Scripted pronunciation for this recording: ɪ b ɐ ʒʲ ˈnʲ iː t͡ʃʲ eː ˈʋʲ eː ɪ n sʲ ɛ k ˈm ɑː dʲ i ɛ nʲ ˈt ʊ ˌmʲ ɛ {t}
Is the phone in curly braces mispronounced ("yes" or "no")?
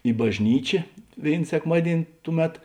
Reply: no